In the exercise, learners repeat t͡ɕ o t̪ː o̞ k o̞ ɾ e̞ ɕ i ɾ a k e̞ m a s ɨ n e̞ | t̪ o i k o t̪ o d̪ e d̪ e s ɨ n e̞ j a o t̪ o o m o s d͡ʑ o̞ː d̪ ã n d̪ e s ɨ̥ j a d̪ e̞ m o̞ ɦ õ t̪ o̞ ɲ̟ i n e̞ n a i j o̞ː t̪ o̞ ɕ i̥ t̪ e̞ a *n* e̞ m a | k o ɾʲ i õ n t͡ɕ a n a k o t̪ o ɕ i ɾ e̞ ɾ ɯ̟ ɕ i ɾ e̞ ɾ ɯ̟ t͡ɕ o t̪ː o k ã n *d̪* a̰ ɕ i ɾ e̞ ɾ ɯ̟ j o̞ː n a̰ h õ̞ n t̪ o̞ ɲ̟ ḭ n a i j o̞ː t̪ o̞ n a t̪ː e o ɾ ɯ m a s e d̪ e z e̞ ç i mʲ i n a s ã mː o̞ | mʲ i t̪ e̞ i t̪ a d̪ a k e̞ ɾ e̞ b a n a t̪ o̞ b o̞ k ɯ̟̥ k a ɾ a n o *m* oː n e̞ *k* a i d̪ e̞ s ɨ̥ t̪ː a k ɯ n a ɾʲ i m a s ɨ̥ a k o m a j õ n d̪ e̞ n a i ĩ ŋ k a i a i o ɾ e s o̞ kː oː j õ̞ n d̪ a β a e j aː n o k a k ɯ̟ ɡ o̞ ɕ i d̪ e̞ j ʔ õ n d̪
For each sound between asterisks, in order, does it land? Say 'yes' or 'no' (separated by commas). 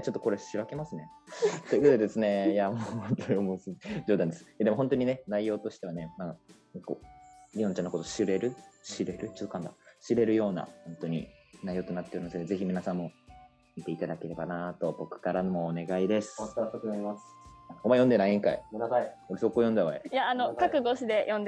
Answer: yes, yes, yes, no